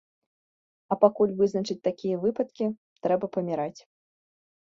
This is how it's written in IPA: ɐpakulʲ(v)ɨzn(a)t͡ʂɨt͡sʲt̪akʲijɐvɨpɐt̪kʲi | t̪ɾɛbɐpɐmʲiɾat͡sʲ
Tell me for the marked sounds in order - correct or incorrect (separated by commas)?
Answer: correct, incorrect